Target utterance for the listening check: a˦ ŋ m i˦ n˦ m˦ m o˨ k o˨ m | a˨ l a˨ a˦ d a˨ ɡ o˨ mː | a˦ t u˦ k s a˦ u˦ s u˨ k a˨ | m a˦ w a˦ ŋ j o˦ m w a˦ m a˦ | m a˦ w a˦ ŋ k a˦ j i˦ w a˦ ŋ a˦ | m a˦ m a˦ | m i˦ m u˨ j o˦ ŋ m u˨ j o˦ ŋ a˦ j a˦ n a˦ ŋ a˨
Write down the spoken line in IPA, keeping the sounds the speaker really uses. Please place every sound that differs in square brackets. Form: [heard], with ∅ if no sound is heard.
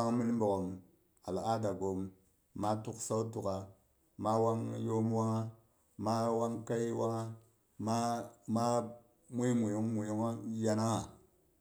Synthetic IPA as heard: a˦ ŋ m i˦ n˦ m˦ [b] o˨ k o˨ m | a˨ l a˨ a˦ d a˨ ɡ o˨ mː | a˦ t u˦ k s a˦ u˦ [t] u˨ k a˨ | m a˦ w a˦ ŋ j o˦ m w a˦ [ŋ] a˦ | m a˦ w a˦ ŋ k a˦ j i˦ w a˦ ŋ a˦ | m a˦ m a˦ | m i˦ m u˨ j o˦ ŋ m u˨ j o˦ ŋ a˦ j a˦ n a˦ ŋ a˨